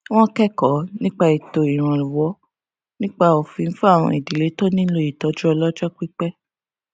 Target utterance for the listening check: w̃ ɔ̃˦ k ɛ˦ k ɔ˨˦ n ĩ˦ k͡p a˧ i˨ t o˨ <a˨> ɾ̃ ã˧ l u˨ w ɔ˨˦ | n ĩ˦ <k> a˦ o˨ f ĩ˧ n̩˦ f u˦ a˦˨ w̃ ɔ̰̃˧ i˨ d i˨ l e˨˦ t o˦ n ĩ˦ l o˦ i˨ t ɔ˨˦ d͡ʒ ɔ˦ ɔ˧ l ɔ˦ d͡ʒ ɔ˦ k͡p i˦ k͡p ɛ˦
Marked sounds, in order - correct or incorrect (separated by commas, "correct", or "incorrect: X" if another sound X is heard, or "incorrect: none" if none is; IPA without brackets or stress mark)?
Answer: incorrect: i˨, incorrect: k͡p